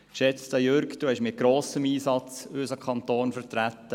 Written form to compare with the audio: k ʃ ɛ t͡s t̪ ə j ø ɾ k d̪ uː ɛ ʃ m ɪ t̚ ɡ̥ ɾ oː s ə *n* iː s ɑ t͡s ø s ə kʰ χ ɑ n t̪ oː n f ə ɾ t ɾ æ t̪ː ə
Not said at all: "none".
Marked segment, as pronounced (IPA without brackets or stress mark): m